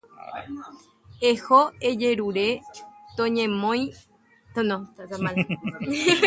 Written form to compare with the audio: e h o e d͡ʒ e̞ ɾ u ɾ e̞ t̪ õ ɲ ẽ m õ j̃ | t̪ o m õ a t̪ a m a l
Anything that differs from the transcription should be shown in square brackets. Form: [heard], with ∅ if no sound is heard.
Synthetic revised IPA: e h o e d͡ʒ e̞ ɾ u ɾ e̞ t̪ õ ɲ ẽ m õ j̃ | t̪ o [n] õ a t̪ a m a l